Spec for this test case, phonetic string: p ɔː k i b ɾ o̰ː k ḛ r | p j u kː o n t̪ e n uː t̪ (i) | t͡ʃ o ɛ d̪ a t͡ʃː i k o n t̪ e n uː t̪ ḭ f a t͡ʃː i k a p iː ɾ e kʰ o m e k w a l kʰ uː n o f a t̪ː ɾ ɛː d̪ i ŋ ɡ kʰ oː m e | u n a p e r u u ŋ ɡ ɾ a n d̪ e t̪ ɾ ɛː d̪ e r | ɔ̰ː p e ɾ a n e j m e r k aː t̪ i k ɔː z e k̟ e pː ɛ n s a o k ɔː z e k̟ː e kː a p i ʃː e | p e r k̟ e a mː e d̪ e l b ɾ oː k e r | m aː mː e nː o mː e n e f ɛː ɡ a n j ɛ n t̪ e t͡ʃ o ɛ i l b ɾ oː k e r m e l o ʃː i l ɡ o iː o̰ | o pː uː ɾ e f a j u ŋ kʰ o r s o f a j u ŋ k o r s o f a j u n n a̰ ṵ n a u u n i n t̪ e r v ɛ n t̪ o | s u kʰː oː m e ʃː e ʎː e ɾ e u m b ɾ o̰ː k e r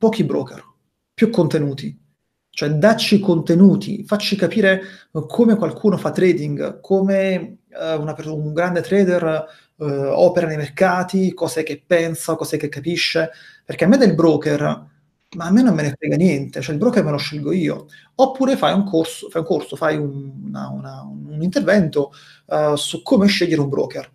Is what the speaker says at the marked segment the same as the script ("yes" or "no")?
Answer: yes